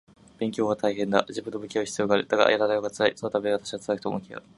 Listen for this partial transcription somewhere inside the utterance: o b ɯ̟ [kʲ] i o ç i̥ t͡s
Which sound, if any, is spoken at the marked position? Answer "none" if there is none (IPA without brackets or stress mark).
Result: kʲ